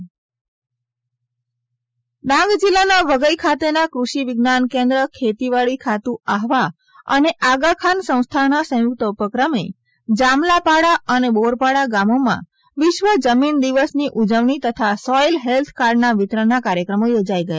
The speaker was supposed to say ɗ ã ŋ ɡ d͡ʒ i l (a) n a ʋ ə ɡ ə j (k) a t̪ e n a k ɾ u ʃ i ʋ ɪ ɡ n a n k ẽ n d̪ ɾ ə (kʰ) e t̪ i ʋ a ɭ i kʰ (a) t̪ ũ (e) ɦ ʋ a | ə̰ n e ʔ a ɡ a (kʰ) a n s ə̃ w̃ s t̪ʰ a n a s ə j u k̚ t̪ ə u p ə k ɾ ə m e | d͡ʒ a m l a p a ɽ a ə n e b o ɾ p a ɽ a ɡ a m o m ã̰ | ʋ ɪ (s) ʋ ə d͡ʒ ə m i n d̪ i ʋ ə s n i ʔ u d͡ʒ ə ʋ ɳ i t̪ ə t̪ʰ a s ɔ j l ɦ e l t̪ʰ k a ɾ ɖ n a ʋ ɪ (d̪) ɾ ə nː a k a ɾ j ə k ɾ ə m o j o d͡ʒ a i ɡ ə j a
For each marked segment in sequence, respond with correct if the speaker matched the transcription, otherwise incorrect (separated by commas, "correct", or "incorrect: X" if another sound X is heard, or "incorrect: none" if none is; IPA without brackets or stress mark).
correct, incorrect: kʰ, correct, correct, incorrect: a, correct, incorrect: ʃ, incorrect: t̪